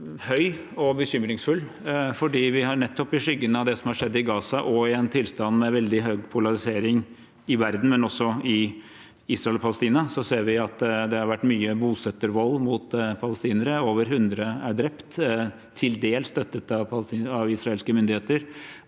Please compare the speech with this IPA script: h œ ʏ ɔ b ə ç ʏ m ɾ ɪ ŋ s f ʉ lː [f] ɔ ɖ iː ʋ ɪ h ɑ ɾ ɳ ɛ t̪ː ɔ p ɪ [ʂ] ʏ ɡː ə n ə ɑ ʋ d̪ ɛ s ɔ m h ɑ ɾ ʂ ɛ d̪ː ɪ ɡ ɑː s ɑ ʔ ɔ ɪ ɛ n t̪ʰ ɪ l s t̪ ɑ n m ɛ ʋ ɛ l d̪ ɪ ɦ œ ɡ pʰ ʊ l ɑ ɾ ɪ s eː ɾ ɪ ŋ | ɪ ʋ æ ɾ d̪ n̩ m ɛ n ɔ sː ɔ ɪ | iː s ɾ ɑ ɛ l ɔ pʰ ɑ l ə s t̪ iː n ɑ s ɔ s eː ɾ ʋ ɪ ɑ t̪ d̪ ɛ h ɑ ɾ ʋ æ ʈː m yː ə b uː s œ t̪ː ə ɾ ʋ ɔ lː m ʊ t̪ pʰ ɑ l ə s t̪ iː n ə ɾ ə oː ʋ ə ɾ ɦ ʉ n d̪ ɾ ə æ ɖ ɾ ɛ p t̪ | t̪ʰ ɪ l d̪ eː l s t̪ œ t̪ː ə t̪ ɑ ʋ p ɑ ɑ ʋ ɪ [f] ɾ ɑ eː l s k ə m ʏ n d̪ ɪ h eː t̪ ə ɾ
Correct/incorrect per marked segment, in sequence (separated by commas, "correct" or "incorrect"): correct, correct, incorrect